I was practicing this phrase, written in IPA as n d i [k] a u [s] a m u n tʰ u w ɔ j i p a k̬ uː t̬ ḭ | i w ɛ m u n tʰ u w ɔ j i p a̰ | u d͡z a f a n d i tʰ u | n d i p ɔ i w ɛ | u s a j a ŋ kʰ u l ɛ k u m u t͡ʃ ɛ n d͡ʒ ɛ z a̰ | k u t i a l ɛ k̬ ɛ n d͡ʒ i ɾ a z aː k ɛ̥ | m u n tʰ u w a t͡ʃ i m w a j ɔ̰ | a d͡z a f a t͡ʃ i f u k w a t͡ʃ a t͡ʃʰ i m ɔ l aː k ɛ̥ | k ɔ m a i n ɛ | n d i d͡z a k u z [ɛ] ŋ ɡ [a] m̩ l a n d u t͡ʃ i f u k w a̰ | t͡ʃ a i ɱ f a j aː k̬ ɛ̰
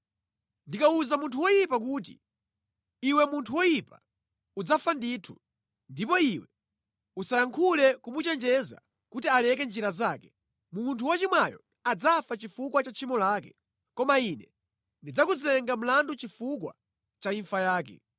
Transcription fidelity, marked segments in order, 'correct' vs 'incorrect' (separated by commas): correct, incorrect, correct, correct